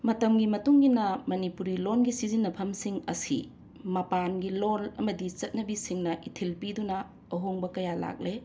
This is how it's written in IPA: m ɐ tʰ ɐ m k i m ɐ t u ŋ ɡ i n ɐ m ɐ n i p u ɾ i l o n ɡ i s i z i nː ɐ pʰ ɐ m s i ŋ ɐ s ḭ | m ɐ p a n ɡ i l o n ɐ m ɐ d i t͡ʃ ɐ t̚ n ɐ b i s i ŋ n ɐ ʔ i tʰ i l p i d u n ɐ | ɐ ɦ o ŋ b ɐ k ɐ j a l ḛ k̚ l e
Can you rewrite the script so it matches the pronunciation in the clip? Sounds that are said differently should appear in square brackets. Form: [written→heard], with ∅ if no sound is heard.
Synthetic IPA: m ɐ [tʰ→t] ɐ m [k→ɡ] i m ɐ t u ŋ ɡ i n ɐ m ɐ n i p u ɾ i l o n ɡ i s i z i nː ɐ pʰ ɐ m s i ŋ ɐ s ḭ | m ɐ p a n ɡ i l o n ɐ m ɐ d i t͡ʃ ɐ t̚ n ɐ b i s i ŋ n ɐ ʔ i tʰ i l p i d u n ɐ | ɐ ɦ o ŋ b ɐ k ɐ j a l [ḛ→a̰] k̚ l e